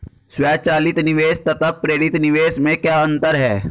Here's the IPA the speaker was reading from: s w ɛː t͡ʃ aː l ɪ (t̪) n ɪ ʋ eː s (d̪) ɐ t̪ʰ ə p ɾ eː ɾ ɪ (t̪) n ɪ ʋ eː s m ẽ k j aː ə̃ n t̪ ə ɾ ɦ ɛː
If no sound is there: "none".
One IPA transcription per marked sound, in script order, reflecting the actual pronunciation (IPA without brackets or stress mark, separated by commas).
t̪, t̪, t̪